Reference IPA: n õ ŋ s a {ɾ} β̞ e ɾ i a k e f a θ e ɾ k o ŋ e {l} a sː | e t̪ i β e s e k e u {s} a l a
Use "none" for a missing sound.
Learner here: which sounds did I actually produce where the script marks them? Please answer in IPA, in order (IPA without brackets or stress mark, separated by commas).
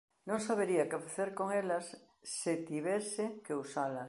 none, l, s